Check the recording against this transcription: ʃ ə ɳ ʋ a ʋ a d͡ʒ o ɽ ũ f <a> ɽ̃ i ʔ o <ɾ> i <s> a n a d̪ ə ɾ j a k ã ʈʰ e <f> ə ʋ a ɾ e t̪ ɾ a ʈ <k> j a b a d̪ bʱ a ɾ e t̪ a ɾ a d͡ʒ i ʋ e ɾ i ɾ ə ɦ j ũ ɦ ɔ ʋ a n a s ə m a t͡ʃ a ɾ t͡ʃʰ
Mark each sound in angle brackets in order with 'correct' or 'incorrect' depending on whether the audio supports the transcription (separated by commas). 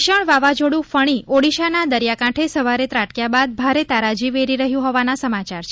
incorrect, incorrect, incorrect, incorrect, correct